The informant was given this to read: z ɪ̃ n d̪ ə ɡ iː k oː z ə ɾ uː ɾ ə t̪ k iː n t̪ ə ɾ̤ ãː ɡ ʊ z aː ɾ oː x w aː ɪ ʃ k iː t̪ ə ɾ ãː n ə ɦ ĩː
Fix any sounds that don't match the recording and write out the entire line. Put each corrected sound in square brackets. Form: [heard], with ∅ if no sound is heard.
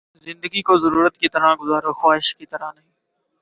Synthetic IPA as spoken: z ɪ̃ n d̪ ə ɡ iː k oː z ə ɾ uː ɾ ə t̪ k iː [∅] t̪ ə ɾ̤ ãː ɡ ʊ z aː ɾ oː x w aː ɪ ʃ k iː t̪ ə ɾ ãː n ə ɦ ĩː